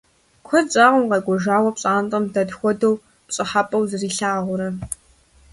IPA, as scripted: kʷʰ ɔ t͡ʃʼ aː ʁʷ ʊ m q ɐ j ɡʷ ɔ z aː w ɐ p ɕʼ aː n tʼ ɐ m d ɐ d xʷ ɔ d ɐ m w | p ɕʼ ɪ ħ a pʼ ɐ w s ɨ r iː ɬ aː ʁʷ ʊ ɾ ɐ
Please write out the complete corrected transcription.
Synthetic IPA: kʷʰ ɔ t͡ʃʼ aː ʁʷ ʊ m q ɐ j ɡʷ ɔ ʒ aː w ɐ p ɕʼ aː n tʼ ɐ m d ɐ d xʷ ɔ d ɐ w | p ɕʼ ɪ ħ a pʼ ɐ w z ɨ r iː ɬ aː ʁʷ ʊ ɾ ɐ